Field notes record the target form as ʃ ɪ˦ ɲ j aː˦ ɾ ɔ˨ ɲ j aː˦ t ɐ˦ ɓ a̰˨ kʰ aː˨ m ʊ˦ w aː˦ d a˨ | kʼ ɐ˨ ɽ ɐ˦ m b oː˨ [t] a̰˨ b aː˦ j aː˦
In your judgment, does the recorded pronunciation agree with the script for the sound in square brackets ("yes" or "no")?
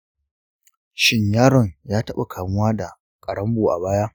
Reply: no